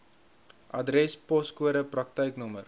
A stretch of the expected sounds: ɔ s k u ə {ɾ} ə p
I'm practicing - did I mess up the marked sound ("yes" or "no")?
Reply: no